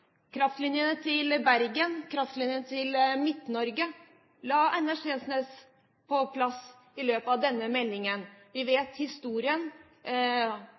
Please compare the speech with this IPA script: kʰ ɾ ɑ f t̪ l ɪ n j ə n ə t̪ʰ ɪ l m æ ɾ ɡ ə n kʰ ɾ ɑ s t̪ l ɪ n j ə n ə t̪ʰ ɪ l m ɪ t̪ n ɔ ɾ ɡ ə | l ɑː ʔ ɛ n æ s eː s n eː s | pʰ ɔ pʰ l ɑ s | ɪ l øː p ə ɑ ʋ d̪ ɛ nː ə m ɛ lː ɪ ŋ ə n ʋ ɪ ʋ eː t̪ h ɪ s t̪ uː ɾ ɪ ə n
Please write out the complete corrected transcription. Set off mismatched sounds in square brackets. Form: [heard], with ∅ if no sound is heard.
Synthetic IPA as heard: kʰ ɾ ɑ f t̪ l ɪ n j ə n ə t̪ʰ ɪ l [b] æ ɾ ɡ ə n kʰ ɾ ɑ [f] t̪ l ɪ n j ə n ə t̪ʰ ɪ l m ɪ t̪ n ɔ ɾ ɡ ə | l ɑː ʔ ɛ n æ [ʂ] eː s n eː s | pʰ ɔ pʰ l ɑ s | ɪ l øː p ə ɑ ʋ d̪ ɛ nː ə m ɛ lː ɪ ŋ ə n ʋ ɪ ʋ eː t̪ h ɪ s t̪ uː ɾ ɪ ə n